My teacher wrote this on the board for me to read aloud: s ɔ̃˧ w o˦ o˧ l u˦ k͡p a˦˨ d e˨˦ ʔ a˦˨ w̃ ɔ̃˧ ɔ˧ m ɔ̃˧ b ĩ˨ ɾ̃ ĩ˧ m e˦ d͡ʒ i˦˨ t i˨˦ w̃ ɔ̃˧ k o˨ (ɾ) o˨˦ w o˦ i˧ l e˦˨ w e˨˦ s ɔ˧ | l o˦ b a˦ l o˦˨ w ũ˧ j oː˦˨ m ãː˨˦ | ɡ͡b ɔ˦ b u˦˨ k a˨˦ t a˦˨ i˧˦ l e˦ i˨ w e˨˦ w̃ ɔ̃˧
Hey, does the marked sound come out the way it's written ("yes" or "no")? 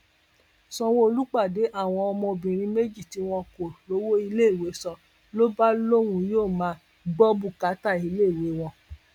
no